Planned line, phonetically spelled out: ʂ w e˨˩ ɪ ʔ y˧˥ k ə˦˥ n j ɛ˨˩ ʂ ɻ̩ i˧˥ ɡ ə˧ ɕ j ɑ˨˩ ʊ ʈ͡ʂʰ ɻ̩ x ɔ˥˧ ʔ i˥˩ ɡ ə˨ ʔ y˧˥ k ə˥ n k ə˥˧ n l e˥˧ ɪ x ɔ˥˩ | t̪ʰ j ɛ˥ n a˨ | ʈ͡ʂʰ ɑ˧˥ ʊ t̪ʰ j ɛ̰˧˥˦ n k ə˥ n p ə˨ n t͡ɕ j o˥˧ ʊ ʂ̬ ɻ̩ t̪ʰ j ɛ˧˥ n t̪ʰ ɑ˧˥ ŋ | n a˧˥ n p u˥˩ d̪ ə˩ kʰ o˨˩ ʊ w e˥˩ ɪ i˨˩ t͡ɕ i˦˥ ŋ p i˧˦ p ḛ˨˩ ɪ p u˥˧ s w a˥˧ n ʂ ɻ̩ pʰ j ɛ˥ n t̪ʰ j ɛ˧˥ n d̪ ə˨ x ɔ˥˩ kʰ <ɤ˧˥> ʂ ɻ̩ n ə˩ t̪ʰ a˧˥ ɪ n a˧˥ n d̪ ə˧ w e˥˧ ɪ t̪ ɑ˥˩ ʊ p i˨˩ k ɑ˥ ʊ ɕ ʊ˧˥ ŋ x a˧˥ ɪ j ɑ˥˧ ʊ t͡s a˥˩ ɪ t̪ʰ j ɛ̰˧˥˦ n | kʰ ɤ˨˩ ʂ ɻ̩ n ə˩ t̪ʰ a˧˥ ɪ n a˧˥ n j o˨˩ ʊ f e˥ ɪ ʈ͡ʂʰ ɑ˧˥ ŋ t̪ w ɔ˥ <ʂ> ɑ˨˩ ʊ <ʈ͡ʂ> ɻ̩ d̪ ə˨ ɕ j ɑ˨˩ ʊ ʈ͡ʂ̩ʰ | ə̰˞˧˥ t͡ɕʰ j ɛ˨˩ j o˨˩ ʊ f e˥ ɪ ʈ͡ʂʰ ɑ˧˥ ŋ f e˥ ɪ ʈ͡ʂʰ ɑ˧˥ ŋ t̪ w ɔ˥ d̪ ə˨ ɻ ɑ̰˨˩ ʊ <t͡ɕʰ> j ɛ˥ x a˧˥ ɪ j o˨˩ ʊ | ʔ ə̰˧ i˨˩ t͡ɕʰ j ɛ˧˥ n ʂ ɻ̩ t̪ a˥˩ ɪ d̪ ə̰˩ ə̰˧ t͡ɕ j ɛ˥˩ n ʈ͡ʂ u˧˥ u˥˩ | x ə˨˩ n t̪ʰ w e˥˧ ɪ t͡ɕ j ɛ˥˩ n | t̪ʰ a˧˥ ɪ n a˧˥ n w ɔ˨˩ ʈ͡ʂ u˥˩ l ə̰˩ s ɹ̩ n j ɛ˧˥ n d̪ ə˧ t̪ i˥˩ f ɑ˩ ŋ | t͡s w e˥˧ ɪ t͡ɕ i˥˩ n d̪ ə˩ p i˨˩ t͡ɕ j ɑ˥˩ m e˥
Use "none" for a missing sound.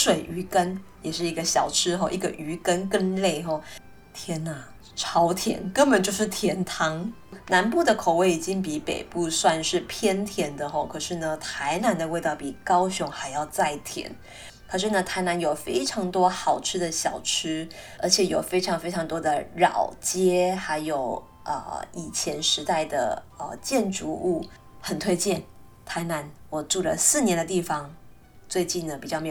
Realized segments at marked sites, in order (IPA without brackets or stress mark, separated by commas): ɤ˨˩, x, ʈ͡ʂʰ, t͡ɕ